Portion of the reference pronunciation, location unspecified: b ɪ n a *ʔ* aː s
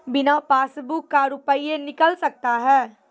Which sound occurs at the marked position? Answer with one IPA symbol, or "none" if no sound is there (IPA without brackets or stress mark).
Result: p